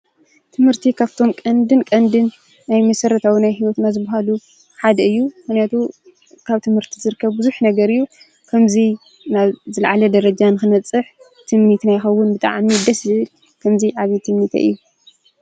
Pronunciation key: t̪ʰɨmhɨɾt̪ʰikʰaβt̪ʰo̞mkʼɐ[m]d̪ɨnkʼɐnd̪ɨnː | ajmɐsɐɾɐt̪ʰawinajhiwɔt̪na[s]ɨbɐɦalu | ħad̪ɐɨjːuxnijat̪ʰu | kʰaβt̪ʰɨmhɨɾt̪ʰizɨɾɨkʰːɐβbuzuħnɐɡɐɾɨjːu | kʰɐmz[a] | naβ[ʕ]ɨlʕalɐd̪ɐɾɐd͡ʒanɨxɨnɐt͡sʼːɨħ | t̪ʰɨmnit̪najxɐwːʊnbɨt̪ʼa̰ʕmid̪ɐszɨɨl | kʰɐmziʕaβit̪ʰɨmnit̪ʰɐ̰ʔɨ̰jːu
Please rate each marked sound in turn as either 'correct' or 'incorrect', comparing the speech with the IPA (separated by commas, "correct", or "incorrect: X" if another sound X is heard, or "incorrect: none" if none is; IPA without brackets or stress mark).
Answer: incorrect: n, incorrect: z, incorrect: i, incorrect: z